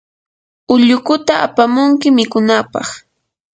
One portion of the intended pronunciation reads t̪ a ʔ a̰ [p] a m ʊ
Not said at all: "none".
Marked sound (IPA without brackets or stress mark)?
p